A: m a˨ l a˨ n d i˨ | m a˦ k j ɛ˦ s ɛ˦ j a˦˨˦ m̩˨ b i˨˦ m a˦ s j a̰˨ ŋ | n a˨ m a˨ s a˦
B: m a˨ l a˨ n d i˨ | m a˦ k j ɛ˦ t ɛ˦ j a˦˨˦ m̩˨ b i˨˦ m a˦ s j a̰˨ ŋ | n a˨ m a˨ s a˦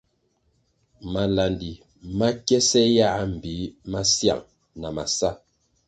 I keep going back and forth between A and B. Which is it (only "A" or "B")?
A